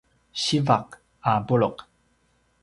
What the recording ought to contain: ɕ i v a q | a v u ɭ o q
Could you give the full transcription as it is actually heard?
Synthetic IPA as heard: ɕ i v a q | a b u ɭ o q